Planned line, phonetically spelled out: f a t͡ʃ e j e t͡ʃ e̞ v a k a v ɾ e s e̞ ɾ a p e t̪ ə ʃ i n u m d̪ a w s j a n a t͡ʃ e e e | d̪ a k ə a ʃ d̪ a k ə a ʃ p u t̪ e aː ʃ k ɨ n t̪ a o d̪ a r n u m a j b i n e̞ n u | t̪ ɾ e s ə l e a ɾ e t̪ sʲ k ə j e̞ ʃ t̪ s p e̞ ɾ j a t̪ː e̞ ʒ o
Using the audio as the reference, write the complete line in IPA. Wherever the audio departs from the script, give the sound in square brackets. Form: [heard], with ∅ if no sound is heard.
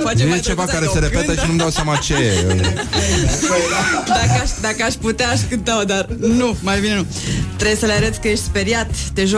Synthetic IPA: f a t͡ʃ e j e t͡ʃ e̞ v a k a [∅] ɾ e s e̞ ɾ [e] p e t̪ ə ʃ i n u m d̪ a w s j a [m] a t͡ʃ e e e | d̪ a k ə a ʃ d̪ a k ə a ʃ p u t̪ e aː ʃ k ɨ n t̪ a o d̪ a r n u m a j b i n e̞ n u | t̪ ɾ e s ə l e a ɾ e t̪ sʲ k ə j e̞ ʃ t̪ s p e̞ ɾ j a t̪ː e̞ ʒ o